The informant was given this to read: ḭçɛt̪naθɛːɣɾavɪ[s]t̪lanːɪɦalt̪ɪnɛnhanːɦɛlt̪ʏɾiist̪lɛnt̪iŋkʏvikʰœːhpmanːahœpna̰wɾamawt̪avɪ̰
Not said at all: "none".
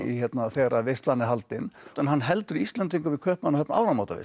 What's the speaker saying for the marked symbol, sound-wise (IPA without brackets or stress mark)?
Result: s